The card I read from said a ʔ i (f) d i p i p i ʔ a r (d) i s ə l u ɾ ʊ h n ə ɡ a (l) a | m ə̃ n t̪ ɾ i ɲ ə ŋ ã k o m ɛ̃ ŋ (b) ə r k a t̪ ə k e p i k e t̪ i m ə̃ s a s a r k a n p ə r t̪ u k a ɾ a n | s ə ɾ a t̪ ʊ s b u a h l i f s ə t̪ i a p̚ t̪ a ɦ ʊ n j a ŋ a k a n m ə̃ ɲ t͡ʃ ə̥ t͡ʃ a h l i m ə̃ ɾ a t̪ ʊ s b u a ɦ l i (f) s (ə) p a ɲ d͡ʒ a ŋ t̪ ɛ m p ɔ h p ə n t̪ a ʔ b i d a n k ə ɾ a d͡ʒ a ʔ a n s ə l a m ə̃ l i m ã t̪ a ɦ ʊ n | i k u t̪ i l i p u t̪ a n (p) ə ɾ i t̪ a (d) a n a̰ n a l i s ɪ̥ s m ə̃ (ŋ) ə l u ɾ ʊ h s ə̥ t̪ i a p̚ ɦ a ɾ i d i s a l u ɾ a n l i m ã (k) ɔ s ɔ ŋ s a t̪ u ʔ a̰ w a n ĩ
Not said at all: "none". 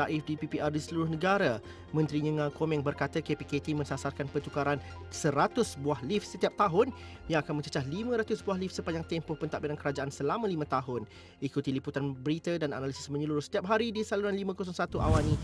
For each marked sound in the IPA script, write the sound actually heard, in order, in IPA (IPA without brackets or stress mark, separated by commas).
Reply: f, d, ɾ, b, f, ə, b, d, ɲ, k